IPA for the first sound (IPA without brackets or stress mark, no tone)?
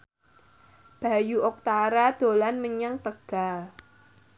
b̥